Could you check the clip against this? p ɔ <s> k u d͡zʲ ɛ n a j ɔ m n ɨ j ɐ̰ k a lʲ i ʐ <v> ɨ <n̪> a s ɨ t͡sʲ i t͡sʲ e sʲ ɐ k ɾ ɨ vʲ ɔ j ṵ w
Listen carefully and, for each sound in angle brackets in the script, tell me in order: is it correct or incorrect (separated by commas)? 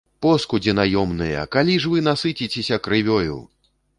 correct, correct, correct